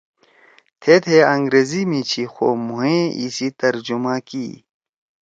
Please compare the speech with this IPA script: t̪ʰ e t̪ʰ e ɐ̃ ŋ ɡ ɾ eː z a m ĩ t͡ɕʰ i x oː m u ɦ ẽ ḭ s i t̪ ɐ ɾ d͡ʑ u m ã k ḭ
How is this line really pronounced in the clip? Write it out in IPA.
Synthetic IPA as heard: t̪ʰ e t̪ʰ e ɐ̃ ŋ ɡ ɾ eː z i m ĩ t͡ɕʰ i x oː m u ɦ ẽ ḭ s i t̪ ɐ ɾ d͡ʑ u m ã k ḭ